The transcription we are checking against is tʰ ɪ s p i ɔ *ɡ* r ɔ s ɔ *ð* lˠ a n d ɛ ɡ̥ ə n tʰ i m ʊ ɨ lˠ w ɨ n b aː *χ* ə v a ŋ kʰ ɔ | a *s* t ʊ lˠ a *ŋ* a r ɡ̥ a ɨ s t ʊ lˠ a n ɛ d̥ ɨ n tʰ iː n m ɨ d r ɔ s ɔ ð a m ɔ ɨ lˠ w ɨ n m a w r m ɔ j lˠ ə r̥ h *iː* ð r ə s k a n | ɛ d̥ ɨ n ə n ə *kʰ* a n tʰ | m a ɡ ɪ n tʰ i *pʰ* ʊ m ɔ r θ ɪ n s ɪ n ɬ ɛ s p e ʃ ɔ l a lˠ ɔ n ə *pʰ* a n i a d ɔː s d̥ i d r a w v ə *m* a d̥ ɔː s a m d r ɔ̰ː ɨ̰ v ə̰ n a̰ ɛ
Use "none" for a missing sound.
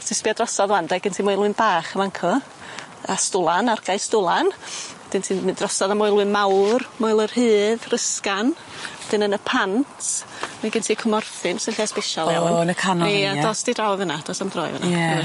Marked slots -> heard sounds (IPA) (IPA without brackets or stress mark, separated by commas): d, ð, χ, s, n, ɨː, pʰ, kʰ, kʰ, n